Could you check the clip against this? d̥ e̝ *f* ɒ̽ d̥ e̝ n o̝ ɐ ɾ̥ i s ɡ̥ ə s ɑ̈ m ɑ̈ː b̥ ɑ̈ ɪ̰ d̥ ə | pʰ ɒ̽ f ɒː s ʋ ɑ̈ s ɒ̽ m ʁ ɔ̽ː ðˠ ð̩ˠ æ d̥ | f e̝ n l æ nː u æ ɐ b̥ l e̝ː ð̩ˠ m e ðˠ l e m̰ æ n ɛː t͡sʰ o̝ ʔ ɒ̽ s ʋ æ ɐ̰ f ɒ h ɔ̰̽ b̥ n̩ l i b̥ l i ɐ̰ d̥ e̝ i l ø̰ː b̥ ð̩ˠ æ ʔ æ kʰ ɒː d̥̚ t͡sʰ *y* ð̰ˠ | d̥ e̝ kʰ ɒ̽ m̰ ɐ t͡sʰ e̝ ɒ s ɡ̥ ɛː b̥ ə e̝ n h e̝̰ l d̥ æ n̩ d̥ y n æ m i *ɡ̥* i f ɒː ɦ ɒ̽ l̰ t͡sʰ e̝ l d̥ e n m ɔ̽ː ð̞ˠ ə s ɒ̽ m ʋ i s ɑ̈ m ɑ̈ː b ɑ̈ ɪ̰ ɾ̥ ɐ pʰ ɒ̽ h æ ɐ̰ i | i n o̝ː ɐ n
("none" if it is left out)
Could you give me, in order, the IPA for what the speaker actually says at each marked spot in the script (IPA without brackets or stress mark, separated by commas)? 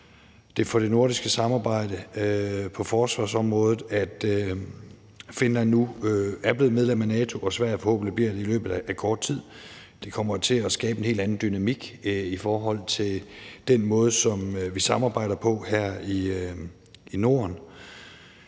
f, i, ɡ̥